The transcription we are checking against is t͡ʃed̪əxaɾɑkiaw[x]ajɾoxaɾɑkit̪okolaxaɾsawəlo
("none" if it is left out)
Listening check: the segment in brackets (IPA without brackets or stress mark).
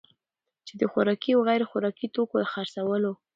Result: ɣ